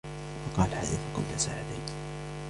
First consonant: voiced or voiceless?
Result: voiceless